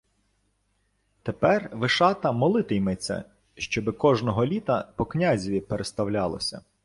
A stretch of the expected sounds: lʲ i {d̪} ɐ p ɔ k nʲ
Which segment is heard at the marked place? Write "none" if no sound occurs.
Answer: t̪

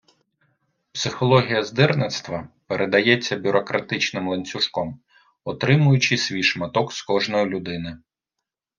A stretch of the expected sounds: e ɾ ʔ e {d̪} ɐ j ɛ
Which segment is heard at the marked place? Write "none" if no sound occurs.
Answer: d̪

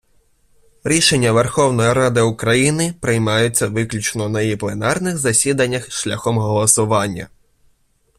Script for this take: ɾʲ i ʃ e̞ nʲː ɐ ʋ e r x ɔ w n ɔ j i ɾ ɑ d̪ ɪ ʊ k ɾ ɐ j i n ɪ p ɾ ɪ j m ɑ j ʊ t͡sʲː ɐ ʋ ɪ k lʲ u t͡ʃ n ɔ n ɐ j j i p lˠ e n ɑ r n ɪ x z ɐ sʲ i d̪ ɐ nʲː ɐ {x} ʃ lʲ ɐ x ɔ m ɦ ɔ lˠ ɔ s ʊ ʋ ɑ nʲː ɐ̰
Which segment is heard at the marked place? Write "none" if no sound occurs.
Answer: x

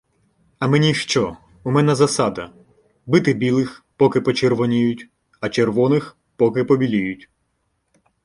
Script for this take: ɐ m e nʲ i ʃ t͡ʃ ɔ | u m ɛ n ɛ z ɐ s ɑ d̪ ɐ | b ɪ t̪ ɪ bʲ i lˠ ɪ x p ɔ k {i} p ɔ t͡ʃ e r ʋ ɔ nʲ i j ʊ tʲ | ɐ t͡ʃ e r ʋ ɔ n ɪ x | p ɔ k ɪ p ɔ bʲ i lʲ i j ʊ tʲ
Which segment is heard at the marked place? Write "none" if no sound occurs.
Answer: ɪ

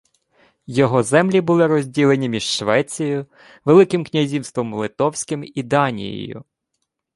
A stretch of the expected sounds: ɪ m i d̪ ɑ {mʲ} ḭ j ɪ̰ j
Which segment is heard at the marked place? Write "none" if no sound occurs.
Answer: nʲ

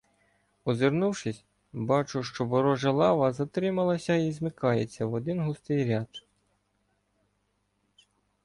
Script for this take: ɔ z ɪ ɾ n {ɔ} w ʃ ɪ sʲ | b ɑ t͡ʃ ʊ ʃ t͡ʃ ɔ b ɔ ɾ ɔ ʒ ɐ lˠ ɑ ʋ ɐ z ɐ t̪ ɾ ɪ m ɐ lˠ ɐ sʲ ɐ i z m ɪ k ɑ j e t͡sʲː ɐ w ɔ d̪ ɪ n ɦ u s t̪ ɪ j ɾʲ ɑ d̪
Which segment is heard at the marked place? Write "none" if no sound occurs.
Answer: u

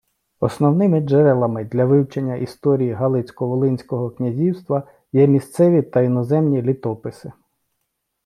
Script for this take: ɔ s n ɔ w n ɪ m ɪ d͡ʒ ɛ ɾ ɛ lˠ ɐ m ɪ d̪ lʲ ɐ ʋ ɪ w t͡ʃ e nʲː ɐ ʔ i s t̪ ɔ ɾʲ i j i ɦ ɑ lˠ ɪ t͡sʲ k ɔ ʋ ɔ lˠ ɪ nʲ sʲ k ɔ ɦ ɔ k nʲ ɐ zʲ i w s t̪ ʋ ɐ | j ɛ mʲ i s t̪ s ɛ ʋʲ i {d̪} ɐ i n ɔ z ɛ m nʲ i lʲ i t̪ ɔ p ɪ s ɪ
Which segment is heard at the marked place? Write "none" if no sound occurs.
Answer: t̪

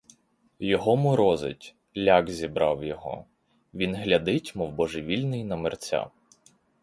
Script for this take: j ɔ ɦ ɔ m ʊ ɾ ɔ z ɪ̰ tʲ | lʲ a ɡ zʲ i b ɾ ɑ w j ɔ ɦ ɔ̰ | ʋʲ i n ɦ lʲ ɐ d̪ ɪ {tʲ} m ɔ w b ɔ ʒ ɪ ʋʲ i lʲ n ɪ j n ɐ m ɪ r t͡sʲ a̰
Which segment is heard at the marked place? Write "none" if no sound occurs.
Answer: tʲ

